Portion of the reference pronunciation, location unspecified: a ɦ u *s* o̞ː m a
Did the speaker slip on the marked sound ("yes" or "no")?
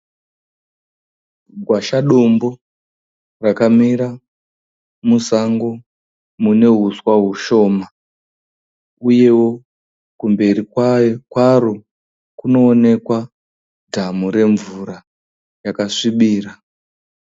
yes